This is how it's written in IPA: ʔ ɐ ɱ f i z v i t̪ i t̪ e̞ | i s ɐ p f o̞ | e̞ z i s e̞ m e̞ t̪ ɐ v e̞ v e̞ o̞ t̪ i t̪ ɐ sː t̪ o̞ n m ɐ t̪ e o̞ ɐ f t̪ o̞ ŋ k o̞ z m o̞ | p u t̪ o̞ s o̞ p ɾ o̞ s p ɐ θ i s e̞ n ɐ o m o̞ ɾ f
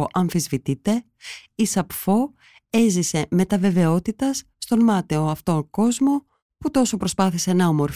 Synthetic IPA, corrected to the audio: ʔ ɐ ɱ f i z v i t̪ i t̪ e̞ | i s ɐ p f o̞ | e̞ z i s e̞ m e̞ t̪ ɐ v e̞ v e̞ o̞ t̪ i t̪ ɐ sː t̪ o̞ n m ɐ t̪ e o̞ ɐ f t̪ o̞ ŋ k o̞ z m o̞ | p u t̪ o̞ s o̞ p ɾ o̞ s p ɐ θ i s e̞ n ɐ o m o̞ ɾ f